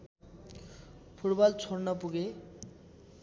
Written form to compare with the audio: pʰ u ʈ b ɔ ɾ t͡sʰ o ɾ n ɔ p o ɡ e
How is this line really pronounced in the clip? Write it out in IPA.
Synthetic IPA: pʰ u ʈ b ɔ l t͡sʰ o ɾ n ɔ p u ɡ e